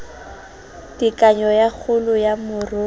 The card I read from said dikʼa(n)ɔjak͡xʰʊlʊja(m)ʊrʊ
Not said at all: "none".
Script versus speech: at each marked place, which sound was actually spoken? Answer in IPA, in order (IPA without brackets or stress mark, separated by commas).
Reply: ɲ, m